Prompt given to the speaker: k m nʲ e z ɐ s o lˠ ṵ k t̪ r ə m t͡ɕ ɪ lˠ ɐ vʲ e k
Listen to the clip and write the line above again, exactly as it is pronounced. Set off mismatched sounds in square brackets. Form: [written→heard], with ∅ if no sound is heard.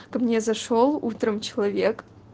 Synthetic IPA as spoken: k m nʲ e z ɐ [s→ʂ] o lˠ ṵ [k→∅] t̪ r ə m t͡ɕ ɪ lˠ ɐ vʲ e k